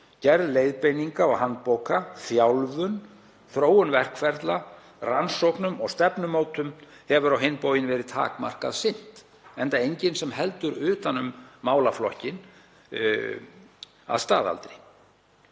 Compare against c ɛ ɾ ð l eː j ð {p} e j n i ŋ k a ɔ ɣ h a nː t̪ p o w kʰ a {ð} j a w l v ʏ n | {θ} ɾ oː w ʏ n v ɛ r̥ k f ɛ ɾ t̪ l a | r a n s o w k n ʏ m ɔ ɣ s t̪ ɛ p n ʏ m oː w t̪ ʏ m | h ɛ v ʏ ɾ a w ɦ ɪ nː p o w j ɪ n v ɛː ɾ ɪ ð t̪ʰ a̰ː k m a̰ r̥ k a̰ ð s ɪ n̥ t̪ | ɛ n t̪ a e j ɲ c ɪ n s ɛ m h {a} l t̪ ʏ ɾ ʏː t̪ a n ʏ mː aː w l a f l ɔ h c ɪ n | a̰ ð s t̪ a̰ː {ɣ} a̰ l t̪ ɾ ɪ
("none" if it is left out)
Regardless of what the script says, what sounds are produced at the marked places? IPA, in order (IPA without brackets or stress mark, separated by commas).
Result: p, θ, θ, ɛ, ð